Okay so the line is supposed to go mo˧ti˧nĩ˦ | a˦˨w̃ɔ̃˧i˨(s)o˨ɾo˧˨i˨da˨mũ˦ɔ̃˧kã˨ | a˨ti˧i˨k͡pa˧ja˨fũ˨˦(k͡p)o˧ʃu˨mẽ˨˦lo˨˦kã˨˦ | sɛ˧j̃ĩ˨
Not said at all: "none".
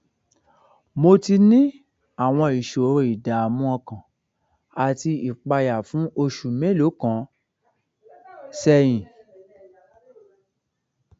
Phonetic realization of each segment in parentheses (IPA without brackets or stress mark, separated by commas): ʃ, none